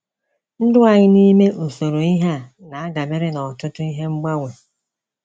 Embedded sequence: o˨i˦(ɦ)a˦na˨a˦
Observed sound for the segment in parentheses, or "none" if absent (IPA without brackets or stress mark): ɦ